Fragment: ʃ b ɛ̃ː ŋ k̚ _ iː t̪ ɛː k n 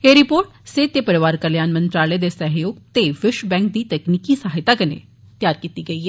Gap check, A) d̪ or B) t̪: A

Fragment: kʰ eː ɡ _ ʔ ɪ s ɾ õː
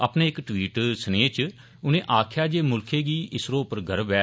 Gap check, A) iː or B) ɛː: A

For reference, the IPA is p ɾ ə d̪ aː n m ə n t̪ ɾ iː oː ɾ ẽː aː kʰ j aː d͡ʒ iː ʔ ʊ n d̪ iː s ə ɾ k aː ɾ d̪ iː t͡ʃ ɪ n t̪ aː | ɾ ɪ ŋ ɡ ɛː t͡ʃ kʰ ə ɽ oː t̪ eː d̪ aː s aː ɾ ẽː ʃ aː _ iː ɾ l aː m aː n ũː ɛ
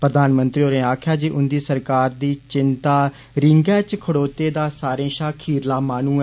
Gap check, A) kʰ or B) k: A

